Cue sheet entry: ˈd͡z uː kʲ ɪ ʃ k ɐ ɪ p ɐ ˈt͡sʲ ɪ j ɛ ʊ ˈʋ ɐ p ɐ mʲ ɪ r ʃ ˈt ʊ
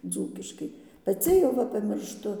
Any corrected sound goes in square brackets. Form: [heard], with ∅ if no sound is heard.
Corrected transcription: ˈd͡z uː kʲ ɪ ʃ k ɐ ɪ p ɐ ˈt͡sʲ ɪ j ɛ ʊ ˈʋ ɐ p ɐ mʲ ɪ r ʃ ˈt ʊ